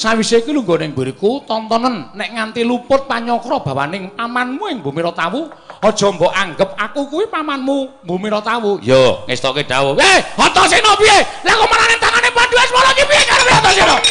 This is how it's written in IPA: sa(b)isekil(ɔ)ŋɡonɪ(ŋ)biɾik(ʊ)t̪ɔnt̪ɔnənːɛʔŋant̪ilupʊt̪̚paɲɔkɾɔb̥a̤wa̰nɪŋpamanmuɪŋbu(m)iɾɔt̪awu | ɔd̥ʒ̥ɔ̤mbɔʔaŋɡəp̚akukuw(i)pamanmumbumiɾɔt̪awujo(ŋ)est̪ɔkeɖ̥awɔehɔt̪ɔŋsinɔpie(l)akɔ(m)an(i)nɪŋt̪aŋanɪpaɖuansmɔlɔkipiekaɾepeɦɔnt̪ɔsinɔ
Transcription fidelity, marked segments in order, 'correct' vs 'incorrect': incorrect: w, incorrect: u, correct, incorrect: u, correct, correct, correct, correct, correct, incorrect: a

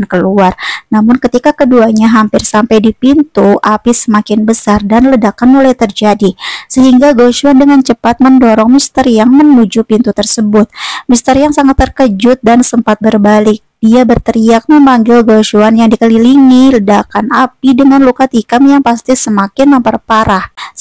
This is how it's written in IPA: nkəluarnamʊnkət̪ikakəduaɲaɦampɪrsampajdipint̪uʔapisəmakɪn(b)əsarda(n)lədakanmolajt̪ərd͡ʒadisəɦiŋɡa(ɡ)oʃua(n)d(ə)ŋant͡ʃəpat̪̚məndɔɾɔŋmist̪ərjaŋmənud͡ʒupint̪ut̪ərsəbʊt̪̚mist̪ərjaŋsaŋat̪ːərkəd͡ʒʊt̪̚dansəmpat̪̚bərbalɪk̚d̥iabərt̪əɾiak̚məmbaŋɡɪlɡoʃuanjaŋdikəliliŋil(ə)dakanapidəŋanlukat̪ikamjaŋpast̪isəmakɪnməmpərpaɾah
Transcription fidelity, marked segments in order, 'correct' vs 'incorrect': correct, correct, correct, correct, correct, correct

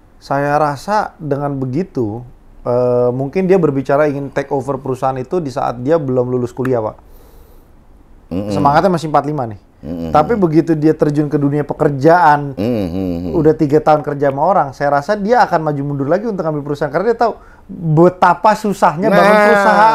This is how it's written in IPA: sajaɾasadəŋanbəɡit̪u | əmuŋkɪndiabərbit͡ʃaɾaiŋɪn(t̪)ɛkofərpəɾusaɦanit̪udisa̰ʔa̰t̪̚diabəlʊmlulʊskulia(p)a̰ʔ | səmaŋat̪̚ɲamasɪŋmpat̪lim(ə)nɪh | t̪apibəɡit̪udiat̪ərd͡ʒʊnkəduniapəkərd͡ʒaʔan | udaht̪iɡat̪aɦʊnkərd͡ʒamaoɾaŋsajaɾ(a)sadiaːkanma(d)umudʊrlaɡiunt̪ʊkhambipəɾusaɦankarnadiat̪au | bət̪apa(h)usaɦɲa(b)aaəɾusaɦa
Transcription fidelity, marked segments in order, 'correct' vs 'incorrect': correct, correct, incorrect: a, correct, incorrect: d͡ʒ, incorrect: s, correct

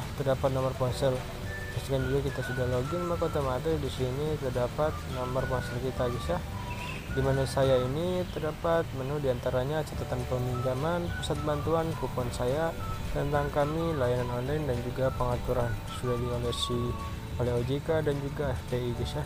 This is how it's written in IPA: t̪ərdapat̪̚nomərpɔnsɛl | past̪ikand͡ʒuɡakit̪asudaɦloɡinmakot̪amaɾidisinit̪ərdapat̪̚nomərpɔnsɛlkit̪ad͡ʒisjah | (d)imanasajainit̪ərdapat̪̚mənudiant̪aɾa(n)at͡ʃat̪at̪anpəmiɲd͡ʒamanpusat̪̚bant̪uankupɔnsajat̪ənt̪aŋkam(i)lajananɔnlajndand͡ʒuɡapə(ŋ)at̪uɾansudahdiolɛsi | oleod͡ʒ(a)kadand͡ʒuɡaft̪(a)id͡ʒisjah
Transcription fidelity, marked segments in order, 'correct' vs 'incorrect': correct, incorrect: ɲ, correct, correct, incorrect: i, incorrect: e

